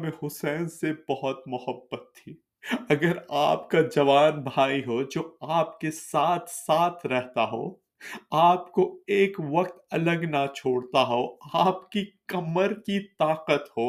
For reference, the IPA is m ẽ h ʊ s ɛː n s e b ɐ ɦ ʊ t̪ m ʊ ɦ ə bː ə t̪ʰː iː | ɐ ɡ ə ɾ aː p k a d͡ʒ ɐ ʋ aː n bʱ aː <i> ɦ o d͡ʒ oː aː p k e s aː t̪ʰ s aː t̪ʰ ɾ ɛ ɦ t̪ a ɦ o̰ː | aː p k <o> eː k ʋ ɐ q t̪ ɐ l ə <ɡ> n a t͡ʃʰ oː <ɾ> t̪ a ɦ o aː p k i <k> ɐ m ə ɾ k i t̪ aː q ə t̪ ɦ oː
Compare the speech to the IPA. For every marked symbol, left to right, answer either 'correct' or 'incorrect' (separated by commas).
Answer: correct, correct, correct, incorrect, correct